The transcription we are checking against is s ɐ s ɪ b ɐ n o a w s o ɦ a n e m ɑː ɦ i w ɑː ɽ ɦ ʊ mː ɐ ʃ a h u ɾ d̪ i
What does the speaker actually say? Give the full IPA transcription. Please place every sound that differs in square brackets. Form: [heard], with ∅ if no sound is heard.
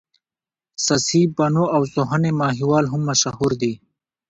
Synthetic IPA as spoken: s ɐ s [i] b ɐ n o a w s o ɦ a n e m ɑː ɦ i w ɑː [l] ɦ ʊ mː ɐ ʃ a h u ɾ d̪ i